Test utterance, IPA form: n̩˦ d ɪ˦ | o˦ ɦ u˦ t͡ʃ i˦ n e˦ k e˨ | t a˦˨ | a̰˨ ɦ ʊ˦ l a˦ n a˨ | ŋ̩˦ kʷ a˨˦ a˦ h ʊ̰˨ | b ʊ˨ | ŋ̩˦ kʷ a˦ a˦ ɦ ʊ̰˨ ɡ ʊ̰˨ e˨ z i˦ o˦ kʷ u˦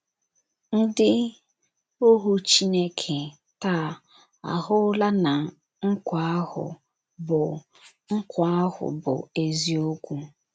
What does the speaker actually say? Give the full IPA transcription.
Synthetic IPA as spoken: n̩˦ d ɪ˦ | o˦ ɦ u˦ t͡ʃ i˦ n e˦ kʰ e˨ | t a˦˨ | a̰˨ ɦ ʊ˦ l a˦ n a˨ | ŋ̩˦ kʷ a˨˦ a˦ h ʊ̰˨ | b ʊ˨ | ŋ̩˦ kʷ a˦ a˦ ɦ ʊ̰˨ b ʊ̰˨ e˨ z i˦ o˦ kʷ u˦